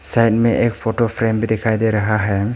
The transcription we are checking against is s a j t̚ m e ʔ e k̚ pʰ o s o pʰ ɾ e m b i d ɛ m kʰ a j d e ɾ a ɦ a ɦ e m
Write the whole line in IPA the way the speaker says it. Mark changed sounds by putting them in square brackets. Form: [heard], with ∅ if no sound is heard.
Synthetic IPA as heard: s a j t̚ m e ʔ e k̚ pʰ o [t] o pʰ ɾ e m b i d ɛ [∅] kʰ a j d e ɾ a ɦ a ɦ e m